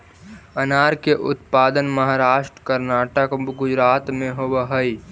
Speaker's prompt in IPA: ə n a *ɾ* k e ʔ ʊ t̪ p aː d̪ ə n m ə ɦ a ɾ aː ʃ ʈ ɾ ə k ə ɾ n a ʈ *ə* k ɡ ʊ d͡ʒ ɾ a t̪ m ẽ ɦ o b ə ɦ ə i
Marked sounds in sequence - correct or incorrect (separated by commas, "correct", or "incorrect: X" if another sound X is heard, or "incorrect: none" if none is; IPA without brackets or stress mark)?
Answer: correct, correct